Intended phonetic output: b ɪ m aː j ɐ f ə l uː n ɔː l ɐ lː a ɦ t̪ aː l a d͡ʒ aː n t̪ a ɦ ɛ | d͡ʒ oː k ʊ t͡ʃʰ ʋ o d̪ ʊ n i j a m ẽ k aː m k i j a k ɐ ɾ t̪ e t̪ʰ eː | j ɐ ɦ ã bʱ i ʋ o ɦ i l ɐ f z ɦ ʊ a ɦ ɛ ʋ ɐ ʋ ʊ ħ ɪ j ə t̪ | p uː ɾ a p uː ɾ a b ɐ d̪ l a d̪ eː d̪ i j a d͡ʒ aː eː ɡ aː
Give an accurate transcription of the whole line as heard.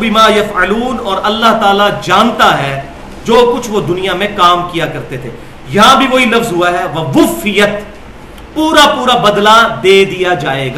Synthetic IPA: b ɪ m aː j ɐ f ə l uː n ɔː ɾ ɐ lː a ɦ t̪ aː l a d͡ʒ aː n t̪ a ɦ ɛ | d͡ʒ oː k ʊ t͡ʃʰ ʋ o d̪ ʊ n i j a m ẽ k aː m k i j a k ɐ ɾ t̪ e t̪ʰ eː | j ɐ ɦ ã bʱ i ʋ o ɦ i l ɐ f z ɦ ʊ a ɦ ɛ ʋ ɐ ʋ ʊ f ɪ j ə t̪ | p uː ɾ a p uː ɾ a b ɐ d̪ l a d̪ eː d̪ i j a d͡ʒ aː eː ɡ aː